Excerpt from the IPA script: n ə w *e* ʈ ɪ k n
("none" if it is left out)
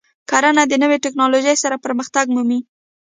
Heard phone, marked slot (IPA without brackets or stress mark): e